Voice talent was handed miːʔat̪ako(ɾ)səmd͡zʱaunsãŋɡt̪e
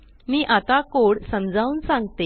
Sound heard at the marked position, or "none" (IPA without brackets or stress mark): ɽ